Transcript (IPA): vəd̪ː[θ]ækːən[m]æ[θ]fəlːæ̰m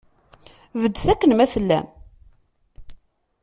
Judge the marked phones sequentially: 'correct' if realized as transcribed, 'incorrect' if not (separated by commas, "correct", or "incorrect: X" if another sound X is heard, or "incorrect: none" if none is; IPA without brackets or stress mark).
correct, correct, incorrect: none